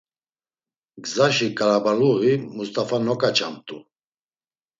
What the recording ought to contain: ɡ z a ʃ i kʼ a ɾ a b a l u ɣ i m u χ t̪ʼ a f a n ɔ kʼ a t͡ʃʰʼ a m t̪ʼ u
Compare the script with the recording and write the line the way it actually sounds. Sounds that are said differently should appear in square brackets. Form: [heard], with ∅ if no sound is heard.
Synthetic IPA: ɡ z a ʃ i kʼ a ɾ a b a l u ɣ i m u [s] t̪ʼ a f a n ɔ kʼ a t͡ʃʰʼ a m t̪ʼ u